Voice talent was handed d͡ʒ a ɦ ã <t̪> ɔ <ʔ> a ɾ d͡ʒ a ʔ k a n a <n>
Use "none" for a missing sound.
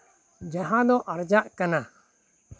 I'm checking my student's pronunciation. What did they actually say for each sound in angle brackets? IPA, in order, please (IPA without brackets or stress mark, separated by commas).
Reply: d̪, ʔ, none